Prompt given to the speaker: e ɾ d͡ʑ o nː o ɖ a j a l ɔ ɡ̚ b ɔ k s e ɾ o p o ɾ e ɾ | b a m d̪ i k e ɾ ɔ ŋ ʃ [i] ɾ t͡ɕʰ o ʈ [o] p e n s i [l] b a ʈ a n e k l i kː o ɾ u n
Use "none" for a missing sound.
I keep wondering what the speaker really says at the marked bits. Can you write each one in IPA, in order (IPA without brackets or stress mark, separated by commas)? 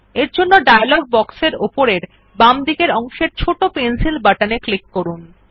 e, o, l